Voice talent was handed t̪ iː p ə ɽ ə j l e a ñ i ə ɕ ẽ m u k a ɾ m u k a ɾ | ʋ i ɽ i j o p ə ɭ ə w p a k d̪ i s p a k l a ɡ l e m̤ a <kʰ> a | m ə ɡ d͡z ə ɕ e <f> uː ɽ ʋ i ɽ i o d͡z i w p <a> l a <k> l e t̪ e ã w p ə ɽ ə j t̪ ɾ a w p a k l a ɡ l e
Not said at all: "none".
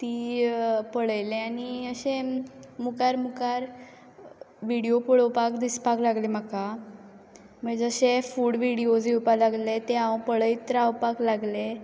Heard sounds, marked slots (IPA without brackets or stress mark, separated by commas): k, f, a, ɡ